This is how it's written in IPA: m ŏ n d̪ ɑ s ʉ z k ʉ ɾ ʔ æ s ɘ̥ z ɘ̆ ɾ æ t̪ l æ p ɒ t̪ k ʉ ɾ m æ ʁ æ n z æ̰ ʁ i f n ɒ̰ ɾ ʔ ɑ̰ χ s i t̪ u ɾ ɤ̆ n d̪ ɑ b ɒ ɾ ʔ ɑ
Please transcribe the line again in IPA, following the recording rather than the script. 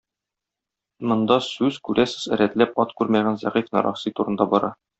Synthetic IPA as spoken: m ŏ n d̪ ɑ s ʉ z k ʉ ɾ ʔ æ s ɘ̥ z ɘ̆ ɾ æ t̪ l æ p ɒ t̪ k ʉ ɾ m æ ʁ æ n z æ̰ ʁ i f n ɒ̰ ɾ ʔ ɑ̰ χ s i t̪ u ɾ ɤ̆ n d̪ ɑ b ɒ ɾ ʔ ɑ